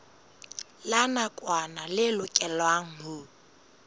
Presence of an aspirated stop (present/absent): absent